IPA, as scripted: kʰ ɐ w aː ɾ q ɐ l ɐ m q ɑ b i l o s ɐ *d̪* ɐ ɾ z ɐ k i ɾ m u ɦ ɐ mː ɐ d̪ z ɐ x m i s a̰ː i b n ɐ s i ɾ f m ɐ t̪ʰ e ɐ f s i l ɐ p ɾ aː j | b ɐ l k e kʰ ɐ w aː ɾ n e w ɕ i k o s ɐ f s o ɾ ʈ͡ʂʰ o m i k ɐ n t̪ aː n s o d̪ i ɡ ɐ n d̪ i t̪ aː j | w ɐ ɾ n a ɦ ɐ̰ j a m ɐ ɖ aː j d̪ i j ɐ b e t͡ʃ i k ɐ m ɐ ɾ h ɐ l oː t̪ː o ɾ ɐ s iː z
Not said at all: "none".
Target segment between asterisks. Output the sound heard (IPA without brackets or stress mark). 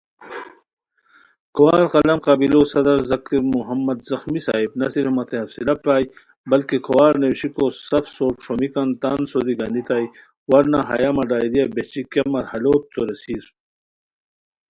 d̪